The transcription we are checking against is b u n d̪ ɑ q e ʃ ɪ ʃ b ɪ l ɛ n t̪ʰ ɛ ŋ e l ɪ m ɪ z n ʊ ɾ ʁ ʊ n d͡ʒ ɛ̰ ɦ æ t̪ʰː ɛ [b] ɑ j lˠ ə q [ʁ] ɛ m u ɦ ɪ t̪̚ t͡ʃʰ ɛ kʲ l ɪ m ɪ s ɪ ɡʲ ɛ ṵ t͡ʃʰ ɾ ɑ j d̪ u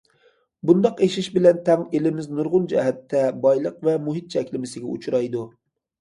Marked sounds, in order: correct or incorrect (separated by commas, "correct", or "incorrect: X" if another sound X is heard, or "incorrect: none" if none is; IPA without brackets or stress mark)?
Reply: correct, incorrect: v